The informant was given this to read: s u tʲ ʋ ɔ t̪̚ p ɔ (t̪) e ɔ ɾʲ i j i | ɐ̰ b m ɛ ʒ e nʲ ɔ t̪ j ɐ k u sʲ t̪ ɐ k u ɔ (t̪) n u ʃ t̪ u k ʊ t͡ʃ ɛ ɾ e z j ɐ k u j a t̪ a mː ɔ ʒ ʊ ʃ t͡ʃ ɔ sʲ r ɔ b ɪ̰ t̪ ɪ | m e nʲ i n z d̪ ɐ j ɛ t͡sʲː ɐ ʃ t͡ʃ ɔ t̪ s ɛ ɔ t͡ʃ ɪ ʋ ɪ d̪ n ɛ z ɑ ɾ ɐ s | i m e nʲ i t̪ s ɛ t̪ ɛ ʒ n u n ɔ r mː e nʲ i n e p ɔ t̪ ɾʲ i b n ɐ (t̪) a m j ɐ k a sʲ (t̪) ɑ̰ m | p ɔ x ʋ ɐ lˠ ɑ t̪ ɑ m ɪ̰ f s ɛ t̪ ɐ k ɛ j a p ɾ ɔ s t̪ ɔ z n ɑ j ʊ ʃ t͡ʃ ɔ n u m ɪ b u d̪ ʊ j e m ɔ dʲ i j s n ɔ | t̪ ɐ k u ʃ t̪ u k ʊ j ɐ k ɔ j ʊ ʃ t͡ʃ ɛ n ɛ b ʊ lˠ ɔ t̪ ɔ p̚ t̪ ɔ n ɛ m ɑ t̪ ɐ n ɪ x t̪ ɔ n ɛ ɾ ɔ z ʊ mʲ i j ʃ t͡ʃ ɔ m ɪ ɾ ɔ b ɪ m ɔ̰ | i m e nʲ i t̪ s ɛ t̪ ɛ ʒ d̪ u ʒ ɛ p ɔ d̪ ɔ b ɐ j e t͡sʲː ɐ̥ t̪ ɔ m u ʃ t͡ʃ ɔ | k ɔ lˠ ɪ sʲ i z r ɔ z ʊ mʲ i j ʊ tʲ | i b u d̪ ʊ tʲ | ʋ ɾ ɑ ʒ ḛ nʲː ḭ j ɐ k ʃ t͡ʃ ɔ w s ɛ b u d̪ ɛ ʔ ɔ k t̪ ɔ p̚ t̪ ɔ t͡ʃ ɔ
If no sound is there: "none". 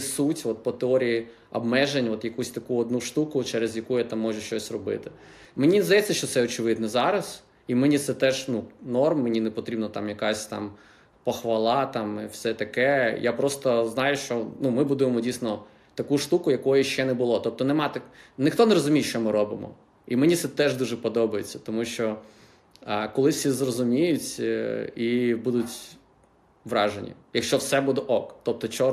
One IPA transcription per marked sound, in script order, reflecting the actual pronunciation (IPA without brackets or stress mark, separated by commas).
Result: t̪, d̪, t̪, t̪